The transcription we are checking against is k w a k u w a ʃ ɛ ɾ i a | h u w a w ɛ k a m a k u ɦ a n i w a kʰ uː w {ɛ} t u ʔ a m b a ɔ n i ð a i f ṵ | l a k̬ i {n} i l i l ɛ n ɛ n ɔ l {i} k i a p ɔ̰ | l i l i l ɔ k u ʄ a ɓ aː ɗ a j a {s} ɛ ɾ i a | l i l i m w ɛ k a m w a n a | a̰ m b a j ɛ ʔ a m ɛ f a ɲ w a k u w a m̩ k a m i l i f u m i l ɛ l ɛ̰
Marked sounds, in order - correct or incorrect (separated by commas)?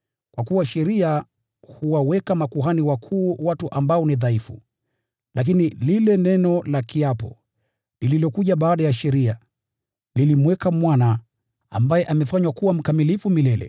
incorrect, correct, incorrect, incorrect